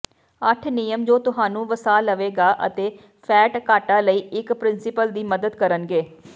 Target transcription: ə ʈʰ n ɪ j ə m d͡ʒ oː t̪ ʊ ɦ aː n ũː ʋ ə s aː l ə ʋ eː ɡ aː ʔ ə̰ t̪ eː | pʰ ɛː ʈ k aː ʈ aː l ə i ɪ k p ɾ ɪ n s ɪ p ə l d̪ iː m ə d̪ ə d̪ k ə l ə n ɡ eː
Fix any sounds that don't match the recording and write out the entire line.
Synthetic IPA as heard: ə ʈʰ n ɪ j ə m d͡ʒ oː t̪ ʊ ɦ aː n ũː ʋ ə s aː l ə ʋ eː ɡ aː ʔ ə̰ t̪ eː | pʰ ɛː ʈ k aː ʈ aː l ə iː ɪ k p ɾ ɪ n s ɪ p ə l d̪ iː m ə d̪ ə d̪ k ə ɾ ə n ɡ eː